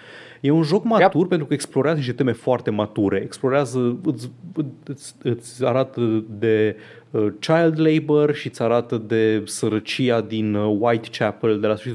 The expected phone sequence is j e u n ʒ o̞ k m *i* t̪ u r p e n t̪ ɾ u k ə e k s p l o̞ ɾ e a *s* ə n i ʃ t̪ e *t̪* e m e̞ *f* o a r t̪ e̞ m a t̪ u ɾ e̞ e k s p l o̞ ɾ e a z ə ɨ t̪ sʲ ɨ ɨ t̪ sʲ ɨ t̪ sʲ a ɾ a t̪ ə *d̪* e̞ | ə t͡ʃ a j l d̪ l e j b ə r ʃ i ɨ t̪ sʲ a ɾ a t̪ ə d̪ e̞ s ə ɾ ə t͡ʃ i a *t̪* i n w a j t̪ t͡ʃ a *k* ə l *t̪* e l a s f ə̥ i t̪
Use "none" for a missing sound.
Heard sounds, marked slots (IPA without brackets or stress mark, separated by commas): a, z, t̪, f, d̪, d̪, p, d̪